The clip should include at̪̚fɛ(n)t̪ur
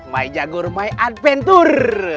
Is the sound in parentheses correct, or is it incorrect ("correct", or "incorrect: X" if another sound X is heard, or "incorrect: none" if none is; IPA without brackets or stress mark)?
correct